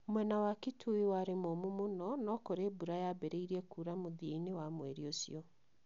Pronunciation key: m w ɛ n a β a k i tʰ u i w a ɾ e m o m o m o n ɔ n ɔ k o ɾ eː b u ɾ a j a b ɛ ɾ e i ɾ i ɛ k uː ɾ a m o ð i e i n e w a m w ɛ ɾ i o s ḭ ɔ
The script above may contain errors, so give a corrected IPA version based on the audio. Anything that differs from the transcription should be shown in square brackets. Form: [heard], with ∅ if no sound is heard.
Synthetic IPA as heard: m w ɛ n a [w] a k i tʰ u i w a ɾ e m o m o m o n ɔ n ɔ k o ɾ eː b u ɾ a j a b ɛ ɾ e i ɾ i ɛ k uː ɾ a m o ð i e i n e w a m w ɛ ɾ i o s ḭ ɔ

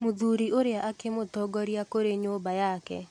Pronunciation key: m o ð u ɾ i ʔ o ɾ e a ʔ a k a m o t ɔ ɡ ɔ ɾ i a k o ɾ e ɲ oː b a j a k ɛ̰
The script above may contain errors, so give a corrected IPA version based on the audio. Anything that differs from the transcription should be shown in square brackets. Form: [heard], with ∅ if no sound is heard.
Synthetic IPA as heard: m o ð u ɾ i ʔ o ɾ e a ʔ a k [e] m o t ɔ ɡ ɔ ɾ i a k o ɾ e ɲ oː b a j a k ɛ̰

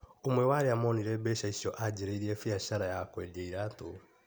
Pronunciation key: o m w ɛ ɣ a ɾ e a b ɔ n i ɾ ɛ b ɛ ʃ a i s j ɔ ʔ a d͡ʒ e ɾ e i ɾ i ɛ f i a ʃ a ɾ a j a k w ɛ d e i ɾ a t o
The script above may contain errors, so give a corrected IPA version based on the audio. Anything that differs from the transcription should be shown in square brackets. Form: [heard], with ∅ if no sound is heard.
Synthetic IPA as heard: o m w ɛ [w] a ɾ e a [m] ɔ n i ɾ ɛ b ɛ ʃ a i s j ɔ ʔ a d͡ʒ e ɾ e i ɾ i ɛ f i a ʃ a ɾ a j a k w ɛ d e i ɾ a t o

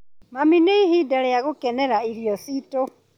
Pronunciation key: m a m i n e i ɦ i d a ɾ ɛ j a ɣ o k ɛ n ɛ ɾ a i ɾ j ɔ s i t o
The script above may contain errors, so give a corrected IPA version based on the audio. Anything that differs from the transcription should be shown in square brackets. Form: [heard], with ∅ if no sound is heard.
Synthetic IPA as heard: m a m i n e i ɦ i d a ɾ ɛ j a ɣ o k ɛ n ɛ ɾ a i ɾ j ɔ s i t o

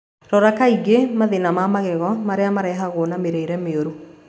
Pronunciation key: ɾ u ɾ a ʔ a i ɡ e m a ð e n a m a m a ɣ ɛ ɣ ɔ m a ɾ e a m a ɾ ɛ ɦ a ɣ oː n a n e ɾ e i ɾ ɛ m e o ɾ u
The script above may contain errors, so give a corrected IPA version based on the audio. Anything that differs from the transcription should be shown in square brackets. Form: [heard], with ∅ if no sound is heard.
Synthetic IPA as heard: ɾ [ɔ] ɾ a [k] a i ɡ e m a ð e n a m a m a ɣ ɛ ɣ ɔ m a ɾ e a m a ɾ ɛ ɦ a ɣ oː n a [m] e ɾ e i ɾ ɛ m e o ɾ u

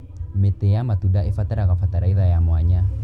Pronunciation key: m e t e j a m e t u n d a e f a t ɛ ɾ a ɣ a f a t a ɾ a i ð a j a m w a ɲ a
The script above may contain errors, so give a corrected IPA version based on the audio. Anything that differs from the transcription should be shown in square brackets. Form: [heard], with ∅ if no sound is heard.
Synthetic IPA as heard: m e t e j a m [a] t u n d a e f a t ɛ ɾ a ɣ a f a t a ɾ a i ð a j a m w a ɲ a

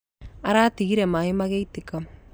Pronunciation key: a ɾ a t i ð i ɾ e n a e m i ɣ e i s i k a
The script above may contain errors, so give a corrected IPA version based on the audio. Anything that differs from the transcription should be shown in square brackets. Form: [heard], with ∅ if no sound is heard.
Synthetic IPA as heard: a ɾ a t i [ɣ] i ɾ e [m] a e m [a] ɣ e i [t] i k a

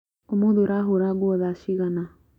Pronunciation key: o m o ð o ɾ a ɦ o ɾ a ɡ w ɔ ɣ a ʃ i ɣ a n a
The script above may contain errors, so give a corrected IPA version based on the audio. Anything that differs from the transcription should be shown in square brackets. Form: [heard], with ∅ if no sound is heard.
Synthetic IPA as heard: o m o ð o ɾ a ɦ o ɾ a ɡ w ɔ [ð] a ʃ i ɣ a n a

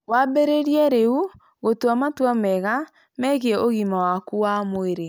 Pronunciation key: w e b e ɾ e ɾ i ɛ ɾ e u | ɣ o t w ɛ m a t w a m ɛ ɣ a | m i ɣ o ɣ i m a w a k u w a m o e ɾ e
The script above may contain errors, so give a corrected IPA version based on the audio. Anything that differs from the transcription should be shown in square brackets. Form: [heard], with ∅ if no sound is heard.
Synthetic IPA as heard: w [a] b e ɾ e ɾ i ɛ ɾ e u | ɣ o t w [a] m a t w a m ɛ ɣ a | m [ɛ] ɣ o ɣ i m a w a k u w a m o e ɾ e

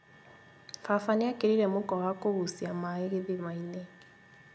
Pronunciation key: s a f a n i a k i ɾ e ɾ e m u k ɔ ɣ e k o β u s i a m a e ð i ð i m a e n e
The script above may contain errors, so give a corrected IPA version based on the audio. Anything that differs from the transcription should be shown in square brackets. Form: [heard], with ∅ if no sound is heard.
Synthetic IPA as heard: [f] a f a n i a k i ɾ [i] ɾ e m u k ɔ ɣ [a] k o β u s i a m a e [ɣ] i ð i m a [i] n e

